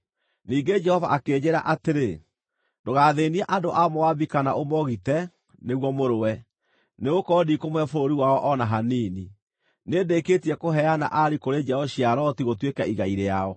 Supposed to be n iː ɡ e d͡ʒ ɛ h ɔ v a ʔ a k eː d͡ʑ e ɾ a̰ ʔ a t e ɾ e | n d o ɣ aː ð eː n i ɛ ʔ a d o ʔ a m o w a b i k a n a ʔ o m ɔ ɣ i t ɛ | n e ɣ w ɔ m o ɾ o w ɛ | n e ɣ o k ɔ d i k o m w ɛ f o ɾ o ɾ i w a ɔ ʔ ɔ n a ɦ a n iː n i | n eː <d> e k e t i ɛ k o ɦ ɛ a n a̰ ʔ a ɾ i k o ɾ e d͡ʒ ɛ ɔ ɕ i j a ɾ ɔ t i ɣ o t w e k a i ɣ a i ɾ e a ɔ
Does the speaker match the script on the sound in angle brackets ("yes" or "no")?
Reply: yes